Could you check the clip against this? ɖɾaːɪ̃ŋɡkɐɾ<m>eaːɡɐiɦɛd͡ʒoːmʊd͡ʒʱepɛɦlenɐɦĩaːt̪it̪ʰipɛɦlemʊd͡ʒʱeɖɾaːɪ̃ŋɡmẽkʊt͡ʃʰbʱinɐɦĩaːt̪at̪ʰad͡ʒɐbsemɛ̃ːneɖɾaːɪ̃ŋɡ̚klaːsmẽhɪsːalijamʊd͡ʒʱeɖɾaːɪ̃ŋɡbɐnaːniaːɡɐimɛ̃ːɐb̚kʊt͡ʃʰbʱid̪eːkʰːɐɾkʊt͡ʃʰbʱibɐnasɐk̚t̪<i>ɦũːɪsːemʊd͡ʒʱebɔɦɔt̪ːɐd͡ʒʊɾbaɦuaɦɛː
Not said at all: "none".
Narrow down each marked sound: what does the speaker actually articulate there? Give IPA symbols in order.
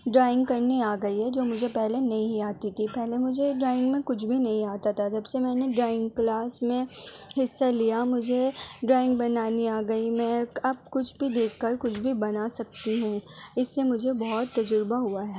n, i

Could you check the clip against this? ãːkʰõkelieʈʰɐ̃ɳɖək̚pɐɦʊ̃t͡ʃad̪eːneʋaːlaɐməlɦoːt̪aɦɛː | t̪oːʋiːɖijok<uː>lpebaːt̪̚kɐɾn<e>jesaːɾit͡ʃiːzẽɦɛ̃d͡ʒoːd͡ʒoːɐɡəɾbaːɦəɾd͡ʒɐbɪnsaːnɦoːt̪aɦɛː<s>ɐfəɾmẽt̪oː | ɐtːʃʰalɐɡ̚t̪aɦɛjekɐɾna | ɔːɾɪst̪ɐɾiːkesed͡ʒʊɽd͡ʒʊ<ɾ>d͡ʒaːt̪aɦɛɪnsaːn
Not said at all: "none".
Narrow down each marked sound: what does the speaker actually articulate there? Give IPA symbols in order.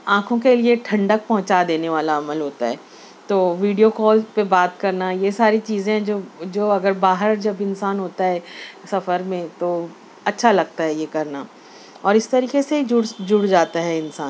ɔː, a, s, ɽ

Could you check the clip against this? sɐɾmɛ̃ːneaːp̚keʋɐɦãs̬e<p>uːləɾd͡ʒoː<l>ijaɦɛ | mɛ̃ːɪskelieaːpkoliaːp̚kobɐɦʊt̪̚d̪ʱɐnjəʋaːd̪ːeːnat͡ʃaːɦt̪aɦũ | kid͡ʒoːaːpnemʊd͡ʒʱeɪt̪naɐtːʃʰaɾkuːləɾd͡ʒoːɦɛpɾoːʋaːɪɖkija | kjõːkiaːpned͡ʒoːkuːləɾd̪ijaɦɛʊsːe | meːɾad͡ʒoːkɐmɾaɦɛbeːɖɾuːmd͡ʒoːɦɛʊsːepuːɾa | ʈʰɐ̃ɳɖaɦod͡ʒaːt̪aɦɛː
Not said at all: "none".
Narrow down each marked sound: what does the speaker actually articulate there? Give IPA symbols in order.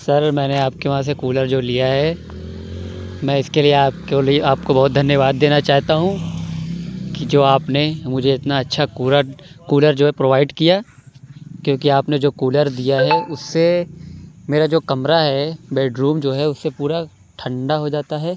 k, l

